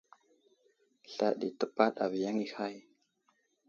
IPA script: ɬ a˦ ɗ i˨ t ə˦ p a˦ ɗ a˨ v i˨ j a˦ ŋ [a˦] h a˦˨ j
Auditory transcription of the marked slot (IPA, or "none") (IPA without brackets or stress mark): i˦